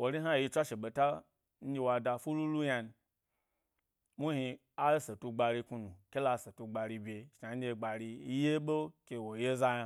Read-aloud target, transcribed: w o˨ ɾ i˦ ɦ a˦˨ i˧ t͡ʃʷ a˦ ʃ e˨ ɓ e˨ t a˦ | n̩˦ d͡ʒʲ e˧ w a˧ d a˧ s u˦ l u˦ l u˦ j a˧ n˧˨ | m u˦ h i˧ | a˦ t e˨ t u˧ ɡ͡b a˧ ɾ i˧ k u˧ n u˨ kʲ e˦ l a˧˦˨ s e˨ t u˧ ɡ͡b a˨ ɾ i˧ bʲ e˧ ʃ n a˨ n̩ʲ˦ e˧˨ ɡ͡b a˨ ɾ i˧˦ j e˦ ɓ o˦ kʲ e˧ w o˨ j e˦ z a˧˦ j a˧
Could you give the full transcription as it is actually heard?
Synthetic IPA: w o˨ ɾ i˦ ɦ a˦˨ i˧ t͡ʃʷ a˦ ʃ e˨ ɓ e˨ t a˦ | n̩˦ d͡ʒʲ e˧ w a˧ d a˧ f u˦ l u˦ l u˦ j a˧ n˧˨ | m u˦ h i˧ | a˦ s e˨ t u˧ ɡ͡b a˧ ɾ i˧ k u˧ n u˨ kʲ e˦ l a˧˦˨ s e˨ t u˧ ɡ͡b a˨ ɾ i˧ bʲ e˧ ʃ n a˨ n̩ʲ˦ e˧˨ ɡ͡b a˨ ɾ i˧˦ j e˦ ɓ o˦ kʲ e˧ w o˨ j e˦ z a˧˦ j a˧